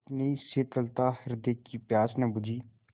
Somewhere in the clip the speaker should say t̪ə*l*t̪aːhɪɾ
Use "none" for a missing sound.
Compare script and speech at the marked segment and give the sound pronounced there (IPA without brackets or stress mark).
l